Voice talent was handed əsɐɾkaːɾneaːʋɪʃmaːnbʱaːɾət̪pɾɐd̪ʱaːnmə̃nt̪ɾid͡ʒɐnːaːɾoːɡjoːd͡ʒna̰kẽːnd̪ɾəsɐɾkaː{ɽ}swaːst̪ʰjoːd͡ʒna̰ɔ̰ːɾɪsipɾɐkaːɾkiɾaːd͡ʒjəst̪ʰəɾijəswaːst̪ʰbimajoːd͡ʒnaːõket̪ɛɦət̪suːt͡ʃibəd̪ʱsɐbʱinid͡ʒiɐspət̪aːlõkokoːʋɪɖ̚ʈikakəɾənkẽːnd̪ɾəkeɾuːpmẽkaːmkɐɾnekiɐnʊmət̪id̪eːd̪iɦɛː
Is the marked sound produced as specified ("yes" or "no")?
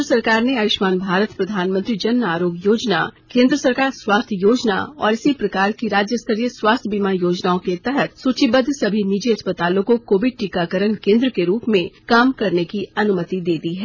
no